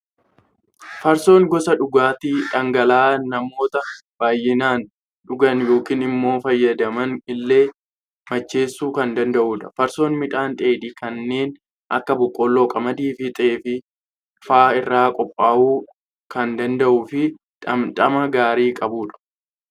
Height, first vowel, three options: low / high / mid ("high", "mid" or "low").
low